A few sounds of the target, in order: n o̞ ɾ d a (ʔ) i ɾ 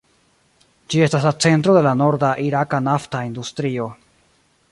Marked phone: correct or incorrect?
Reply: correct